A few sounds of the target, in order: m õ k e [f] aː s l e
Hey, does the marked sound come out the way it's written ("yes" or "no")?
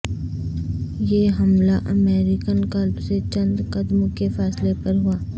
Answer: yes